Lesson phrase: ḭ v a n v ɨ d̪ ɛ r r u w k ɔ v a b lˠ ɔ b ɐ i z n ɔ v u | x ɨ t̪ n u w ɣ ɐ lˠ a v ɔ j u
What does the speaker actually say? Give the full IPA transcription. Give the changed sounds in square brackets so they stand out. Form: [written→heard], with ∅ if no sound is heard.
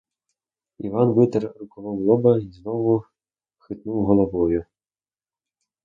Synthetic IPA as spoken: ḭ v a n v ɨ [d̪→t̪] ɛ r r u [w→∅] k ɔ v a [b→w] lˠ ɔ b ɐ i z n ɔ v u | x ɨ t̪ n u w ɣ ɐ lˠ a v ɔ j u